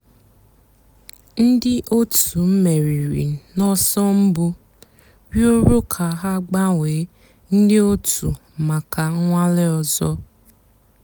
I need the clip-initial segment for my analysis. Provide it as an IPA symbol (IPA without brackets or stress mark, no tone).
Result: n̩